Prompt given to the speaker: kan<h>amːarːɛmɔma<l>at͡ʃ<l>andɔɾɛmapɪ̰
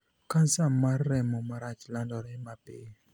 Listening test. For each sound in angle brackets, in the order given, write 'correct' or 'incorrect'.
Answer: incorrect: s, incorrect: ɾ, correct

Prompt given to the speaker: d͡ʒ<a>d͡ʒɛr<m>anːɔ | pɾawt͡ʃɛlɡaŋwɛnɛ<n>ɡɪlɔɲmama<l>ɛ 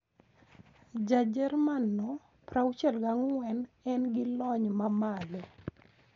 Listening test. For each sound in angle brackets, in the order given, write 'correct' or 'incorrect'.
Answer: correct, correct, correct, correct

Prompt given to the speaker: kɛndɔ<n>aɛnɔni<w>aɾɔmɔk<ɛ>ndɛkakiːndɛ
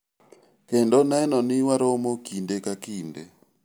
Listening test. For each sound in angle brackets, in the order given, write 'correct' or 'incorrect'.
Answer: correct, correct, incorrect: i

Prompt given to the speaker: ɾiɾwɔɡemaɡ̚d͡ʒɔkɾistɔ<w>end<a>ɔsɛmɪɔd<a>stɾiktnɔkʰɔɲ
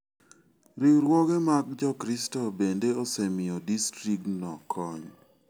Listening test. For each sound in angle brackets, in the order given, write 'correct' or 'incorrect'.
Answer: incorrect: b, incorrect: e, incorrect: i

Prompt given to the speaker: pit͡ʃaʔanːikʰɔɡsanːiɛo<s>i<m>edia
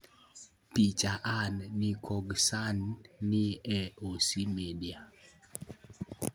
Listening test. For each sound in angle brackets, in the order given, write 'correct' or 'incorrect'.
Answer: correct, correct

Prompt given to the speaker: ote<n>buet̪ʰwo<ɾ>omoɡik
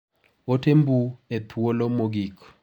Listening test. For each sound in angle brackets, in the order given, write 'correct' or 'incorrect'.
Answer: incorrect: m, incorrect: l

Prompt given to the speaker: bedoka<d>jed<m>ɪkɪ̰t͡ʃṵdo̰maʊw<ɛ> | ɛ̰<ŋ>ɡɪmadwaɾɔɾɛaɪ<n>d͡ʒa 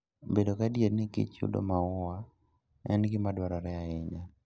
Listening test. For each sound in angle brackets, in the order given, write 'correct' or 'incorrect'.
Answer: correct, incorrect: n, incorrect: a, incorrect: n, incorrect: ɲ

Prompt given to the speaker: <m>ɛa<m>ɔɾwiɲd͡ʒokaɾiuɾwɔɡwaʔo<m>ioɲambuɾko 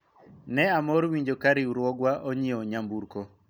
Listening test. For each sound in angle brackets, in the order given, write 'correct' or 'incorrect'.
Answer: incorrect: n, correct, incorrect: ɲ

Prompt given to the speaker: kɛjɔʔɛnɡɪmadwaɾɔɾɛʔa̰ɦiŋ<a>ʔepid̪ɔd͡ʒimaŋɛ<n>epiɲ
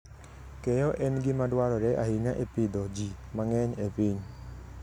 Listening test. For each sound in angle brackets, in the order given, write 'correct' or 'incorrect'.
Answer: correct, incorrect: ɲ

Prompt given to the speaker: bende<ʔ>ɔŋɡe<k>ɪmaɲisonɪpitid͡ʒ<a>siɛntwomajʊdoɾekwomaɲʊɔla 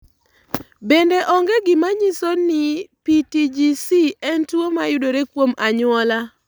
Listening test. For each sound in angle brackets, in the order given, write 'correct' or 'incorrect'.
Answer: correct, incorrect: ɡ, incorrect: i

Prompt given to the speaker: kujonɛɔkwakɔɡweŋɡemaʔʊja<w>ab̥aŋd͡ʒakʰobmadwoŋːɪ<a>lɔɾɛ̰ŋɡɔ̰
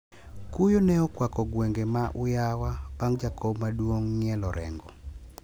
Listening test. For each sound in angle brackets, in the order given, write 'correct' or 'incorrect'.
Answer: correct, incorrect: ɛ

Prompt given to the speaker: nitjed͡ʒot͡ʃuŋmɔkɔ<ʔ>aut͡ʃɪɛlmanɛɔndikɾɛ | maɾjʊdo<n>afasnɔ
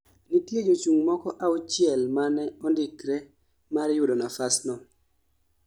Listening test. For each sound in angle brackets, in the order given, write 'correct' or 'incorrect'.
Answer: correct, correct

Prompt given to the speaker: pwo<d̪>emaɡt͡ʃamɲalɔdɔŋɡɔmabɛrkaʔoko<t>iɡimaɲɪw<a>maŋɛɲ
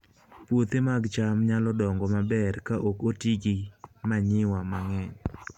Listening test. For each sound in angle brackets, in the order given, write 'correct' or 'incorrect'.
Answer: incorrect: t̪, correct, correct

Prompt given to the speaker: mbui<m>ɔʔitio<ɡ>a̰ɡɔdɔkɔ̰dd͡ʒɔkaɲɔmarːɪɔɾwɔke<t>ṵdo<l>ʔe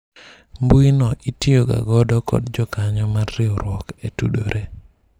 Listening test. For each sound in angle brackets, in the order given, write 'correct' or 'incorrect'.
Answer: incorrect: n, correct, correct, incorrect: ɾ

